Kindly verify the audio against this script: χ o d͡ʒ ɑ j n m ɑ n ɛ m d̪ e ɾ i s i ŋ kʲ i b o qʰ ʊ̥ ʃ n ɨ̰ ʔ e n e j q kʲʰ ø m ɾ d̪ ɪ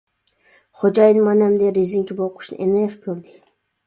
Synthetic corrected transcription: χ o d͡ʒ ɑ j n m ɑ n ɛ m d̪ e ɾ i z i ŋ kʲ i b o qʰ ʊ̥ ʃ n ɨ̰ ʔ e n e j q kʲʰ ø ɾ d̪ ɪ